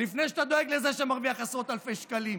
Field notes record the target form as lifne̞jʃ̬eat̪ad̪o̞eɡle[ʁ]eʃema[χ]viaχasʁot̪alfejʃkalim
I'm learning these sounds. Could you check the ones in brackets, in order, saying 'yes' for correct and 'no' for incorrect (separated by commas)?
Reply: no, no